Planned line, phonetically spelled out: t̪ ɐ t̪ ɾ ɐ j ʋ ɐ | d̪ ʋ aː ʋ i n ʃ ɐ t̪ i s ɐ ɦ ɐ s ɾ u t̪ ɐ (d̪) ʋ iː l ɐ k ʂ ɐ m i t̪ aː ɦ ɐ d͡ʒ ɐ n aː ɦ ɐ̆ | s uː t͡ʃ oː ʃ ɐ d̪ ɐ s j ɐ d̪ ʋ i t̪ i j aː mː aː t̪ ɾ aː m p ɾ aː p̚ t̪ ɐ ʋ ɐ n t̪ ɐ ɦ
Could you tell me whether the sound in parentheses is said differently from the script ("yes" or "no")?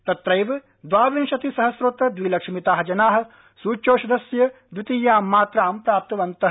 no